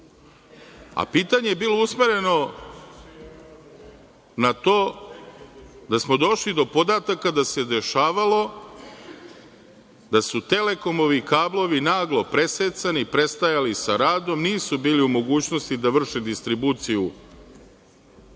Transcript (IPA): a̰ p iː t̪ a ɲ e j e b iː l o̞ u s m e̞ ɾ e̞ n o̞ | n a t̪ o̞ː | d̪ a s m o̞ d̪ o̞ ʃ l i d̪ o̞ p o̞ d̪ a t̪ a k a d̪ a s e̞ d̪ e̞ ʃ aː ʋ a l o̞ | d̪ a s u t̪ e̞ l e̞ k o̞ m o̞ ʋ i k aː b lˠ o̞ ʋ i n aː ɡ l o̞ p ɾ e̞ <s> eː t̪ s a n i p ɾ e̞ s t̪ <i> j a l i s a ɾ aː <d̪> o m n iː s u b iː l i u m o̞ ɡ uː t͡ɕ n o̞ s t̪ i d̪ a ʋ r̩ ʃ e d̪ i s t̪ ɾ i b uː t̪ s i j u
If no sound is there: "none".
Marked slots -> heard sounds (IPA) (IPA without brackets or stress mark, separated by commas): s, a, d̪